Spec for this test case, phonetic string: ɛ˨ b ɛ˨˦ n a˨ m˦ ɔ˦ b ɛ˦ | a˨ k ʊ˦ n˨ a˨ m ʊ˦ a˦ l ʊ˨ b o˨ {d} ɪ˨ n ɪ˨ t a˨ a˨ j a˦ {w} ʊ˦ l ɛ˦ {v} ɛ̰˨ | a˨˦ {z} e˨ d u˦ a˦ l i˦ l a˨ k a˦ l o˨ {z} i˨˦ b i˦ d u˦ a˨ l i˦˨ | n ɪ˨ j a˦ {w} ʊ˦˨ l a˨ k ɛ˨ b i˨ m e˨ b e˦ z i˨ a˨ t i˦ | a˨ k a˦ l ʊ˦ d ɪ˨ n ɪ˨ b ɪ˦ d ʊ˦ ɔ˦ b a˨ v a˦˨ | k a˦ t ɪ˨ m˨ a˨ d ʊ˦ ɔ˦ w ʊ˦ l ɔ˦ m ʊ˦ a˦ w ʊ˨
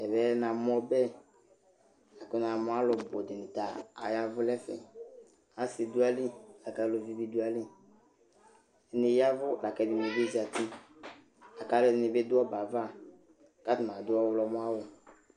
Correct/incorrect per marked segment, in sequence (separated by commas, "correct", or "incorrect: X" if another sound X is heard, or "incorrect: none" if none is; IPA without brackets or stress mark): correct, incorrect: v, incorrect: f, incorrect: s, incorrect: v, incorrect: v